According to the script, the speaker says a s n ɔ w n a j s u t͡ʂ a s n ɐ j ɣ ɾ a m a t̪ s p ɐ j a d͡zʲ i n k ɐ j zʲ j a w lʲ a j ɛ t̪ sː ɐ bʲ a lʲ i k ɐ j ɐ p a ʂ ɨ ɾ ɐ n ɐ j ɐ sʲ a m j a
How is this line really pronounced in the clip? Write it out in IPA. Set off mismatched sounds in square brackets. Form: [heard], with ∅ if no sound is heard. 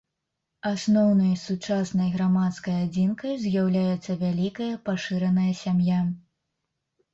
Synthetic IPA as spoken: a s n ɔ w n [ɐ] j s u t͡ʂ a s n ɐ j ɣ ɾ a m a t̪ s [k] ɐ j a d͡zʲ i n k ɐ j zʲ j a w lʲ a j ɛ t̪ sː ɐ [vʲ] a lʲ i k ɐ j ɐ p a ʂ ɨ ɾ ɐ n ɐ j ɐ sʲ a m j a